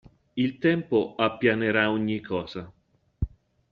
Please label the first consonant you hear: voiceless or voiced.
voiced